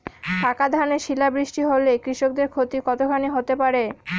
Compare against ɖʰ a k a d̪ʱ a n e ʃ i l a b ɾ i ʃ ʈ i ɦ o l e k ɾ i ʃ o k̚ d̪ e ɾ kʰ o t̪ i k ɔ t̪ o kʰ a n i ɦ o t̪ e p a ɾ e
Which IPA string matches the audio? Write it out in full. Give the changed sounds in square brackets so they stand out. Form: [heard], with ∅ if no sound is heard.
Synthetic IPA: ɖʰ a k a d̪ʱ a n e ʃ i l a b ɾ i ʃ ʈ i ɦ o l e k ɾ i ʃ o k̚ d̪ e ɾ kʰ o t̪ i k ɔ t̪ o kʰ a n i ɦ o t̪ e p a ɾ e